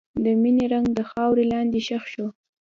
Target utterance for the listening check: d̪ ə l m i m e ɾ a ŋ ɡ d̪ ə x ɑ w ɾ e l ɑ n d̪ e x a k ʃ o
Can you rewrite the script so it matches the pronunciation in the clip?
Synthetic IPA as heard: d̪ ə m i n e ɾ a ŋ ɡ d̪ ə x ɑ w ɾ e l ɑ n d̪ e ʃ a x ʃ o